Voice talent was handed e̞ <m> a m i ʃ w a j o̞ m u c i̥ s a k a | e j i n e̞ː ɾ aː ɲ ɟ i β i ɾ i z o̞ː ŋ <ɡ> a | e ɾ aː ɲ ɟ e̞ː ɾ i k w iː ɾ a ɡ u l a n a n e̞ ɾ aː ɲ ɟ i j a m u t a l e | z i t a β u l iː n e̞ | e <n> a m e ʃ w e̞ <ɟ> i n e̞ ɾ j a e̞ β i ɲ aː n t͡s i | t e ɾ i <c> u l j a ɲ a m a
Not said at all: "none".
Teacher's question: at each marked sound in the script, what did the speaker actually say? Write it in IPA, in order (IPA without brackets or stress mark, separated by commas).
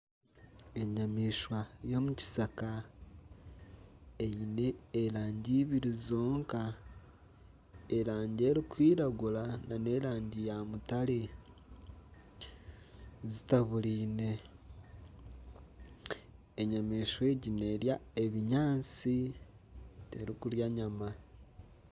ɲ, k, ɲ, ɟ, k